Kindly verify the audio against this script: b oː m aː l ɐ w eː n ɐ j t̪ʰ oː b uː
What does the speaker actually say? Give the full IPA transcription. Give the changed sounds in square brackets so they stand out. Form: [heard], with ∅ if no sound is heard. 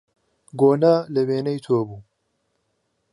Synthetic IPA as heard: [ɡ] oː [n] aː l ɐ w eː n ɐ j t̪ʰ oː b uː